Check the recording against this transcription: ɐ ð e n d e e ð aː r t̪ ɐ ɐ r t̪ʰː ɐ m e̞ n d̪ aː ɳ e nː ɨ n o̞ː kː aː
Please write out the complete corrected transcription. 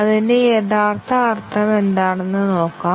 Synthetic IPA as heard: ɐ ð i n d e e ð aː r t̪ ɐ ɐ r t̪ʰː ɐ m e̞ n d̪ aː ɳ e nː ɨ n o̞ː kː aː